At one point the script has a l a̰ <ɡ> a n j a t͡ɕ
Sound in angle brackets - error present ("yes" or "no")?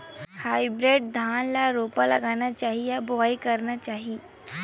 no